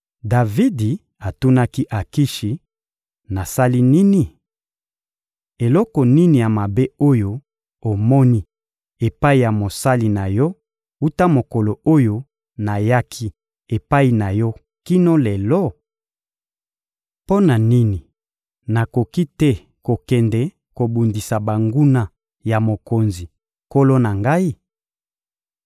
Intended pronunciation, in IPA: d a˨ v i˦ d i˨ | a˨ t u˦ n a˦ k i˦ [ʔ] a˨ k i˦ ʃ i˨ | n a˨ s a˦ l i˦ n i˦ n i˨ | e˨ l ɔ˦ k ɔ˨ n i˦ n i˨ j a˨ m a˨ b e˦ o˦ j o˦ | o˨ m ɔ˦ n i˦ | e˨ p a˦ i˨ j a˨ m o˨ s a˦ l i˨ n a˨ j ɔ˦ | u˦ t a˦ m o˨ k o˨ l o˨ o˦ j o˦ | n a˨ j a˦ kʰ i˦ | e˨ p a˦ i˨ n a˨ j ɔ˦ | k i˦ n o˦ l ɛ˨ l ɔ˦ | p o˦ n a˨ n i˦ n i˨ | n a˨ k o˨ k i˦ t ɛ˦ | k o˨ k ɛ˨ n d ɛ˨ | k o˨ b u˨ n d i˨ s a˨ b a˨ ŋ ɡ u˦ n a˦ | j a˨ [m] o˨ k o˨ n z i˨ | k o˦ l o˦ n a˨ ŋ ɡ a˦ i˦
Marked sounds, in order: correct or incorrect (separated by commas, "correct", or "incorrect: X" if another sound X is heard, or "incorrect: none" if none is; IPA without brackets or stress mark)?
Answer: correct, correct